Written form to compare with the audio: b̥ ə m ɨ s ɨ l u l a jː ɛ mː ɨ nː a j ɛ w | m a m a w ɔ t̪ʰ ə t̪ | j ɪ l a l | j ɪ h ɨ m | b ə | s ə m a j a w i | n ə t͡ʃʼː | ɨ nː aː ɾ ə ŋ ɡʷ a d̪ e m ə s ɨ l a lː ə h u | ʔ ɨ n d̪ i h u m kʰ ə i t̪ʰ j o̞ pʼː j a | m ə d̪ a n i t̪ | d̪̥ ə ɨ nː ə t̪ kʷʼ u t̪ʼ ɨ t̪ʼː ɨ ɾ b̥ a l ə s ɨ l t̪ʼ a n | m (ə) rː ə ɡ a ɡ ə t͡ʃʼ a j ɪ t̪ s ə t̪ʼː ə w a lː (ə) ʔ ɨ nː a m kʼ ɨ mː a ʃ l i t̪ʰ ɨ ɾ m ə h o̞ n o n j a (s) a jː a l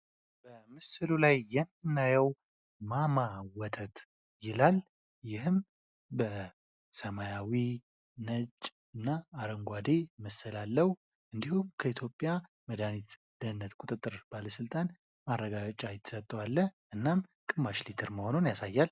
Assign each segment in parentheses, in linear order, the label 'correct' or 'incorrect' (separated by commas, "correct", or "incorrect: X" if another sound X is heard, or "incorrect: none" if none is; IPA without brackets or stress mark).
incorrect: a, correct, correct